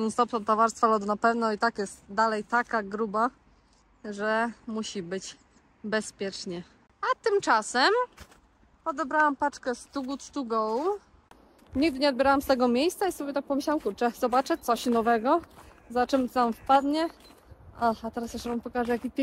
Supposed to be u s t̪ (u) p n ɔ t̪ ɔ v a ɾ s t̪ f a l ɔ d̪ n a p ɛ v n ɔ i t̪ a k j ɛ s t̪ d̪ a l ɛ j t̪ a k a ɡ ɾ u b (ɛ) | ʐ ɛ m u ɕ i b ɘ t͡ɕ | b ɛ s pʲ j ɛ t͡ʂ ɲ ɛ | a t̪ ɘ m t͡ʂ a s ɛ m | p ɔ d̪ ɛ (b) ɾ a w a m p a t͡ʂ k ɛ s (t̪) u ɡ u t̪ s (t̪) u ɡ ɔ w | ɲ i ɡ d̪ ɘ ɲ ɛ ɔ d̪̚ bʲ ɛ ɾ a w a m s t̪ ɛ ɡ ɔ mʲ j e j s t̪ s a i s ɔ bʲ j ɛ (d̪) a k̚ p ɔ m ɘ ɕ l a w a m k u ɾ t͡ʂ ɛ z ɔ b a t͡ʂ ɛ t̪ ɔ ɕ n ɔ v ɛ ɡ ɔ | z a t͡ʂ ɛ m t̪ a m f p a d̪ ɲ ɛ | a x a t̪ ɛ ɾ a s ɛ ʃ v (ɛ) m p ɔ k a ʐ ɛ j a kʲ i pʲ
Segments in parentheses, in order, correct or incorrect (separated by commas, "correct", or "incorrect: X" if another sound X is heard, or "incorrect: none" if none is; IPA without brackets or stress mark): incorrect: ɔ, incorrect: a, correct, correct, correct, incorrect: t̪, incorrect: a